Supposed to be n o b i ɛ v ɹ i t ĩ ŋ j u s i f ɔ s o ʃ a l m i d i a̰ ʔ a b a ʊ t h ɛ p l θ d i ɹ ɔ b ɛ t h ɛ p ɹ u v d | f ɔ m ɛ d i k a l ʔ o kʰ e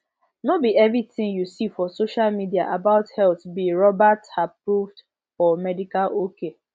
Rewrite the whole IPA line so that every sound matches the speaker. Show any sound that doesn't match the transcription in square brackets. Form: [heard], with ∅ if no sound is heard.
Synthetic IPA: n o b i ɛ v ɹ i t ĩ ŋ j u s i f ɔ s o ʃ a l m i d i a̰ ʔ a b a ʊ t h ɛ [∅] l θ [b] i ɹ ɔ b [a] t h [a] p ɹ u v d | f ɔ m ɛ d i k a l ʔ o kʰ e